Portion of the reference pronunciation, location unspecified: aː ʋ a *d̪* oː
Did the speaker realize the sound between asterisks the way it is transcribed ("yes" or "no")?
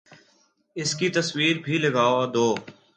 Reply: yes